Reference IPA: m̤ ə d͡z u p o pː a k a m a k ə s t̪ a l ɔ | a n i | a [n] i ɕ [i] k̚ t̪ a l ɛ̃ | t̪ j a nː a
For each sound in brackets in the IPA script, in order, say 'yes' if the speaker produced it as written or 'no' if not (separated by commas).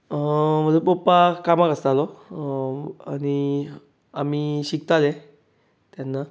no, yes